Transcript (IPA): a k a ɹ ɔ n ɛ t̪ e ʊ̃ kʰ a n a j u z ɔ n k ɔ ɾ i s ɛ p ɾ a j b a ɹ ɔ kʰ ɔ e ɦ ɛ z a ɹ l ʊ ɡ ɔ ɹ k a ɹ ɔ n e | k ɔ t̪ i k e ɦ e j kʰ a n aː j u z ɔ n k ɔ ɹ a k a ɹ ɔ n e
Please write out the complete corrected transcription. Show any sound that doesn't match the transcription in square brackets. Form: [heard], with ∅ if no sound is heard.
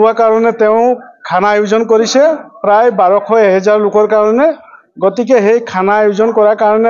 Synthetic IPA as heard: a k a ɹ ɔ n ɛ t̪ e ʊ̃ kʰ a n a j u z ɔ n k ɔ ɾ i s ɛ p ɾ a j b a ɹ ɔ kʰ ɔ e ɦ ɛ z a ɹ l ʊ [k] ɔ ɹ k a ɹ ɔ n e | [ɡ] ɔ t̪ i k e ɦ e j kʰ a n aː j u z ɔ n k ɔ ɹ a k a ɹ ɔ n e